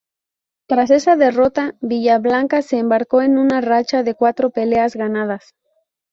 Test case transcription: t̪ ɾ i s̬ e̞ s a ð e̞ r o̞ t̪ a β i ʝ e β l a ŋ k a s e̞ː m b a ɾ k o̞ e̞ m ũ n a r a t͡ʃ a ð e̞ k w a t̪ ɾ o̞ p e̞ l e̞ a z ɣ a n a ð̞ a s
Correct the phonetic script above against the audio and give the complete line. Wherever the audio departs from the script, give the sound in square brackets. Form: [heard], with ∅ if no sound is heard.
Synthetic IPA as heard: t̪ ɾ [a] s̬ e̞ s a ð e̞ r o̞ t̪ a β i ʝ [a] β l a ŋ k a s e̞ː m b a ɾ k o̞ e̞ [n] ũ n a r a t͡ʃ a ð e̞ k w a t̪ ɾ o̞ p e̞ l e̞ a z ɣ a n a ð̞ a s